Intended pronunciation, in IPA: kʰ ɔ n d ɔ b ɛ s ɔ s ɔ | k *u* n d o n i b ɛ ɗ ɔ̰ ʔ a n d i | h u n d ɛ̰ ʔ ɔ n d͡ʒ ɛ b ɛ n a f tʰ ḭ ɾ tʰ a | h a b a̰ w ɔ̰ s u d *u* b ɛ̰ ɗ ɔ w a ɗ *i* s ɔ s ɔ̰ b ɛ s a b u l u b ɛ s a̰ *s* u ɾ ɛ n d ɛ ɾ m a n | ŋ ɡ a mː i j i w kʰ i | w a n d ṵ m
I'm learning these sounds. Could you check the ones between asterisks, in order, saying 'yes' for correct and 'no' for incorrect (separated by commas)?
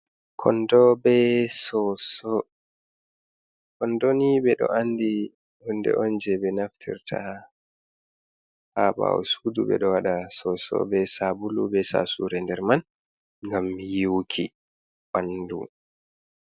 no, yes, no, yes